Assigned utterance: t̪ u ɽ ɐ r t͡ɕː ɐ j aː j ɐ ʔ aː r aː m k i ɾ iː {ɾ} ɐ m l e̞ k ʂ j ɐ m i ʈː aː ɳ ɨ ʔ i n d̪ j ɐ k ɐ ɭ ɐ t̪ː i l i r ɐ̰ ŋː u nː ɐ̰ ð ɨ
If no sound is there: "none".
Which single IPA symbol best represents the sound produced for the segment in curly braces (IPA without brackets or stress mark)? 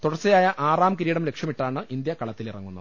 ɽ